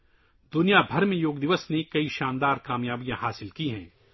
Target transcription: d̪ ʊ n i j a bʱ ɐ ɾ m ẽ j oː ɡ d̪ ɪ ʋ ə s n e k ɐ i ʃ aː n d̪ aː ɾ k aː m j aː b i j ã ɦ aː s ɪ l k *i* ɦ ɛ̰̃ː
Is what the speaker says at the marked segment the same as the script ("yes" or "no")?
yes